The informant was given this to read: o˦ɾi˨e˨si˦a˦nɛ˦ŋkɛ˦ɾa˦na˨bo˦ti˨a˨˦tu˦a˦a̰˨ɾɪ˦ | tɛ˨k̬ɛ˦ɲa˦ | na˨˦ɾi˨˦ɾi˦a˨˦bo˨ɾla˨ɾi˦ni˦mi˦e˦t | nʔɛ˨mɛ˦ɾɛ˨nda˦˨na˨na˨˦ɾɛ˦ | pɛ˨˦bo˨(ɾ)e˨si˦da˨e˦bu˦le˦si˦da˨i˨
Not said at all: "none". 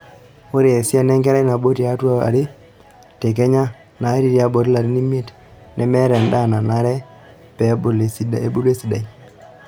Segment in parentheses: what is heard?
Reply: l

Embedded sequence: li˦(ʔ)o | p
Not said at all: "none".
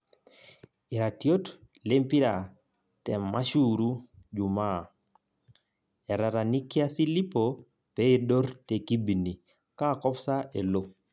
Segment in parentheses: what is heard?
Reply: p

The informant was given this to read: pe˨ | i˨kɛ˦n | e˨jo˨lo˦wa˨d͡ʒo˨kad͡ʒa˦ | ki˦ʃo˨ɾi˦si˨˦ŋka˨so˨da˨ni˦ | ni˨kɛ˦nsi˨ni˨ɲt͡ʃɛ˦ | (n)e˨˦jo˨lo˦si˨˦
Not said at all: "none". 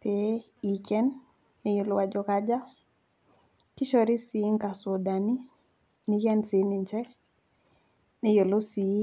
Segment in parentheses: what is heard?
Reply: n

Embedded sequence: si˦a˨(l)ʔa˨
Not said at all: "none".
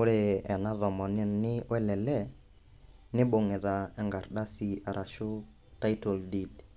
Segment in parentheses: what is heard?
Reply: ɾ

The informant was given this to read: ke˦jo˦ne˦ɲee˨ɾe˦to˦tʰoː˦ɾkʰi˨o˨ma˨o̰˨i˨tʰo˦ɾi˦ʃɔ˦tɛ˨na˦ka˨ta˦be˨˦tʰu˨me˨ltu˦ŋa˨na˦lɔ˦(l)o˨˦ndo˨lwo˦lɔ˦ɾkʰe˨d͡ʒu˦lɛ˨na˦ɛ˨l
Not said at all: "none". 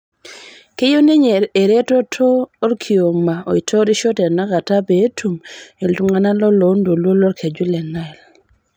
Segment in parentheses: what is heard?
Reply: l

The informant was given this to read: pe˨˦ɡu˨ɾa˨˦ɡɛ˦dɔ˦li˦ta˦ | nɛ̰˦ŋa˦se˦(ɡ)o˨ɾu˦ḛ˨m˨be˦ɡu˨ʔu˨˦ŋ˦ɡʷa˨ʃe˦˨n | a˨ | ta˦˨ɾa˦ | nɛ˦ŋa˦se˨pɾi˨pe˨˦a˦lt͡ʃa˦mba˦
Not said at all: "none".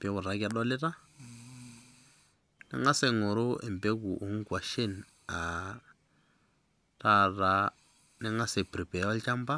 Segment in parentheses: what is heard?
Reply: ŋ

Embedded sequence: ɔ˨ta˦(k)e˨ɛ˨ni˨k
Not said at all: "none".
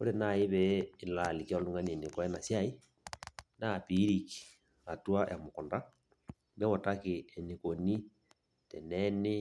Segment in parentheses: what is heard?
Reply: k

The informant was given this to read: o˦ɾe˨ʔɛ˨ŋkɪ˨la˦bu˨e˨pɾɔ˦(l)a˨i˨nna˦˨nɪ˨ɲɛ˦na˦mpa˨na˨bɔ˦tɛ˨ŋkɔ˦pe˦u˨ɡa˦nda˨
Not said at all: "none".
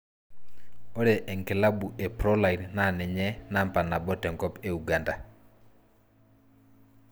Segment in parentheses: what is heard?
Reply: l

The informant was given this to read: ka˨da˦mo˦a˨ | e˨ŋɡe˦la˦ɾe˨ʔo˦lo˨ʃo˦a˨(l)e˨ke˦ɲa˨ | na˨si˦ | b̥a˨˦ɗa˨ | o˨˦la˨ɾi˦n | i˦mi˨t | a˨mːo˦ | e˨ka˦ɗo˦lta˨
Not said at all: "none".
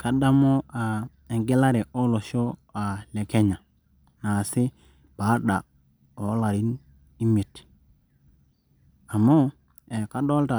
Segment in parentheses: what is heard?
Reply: l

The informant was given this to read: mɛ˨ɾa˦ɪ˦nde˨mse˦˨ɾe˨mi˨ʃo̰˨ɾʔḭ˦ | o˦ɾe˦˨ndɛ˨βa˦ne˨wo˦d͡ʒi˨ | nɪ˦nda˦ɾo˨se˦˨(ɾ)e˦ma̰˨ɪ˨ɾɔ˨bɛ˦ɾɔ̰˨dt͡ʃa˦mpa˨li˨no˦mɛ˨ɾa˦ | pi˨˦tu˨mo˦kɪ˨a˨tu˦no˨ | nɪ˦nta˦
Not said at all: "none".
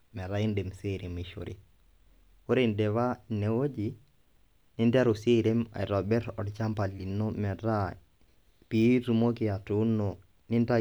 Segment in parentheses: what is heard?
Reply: ɾ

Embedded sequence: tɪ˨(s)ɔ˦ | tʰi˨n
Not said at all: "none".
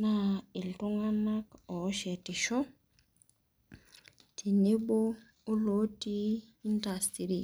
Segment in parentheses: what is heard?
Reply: ʃ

